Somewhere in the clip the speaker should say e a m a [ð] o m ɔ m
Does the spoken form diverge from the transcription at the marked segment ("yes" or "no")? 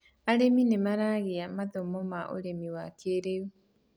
no